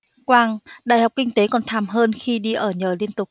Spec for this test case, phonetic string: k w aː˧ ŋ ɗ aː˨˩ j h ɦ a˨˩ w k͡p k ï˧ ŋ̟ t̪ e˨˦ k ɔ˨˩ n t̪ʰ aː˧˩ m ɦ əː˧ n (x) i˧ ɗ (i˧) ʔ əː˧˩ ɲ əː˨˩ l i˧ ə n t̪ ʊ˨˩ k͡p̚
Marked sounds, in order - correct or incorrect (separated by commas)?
correct, correct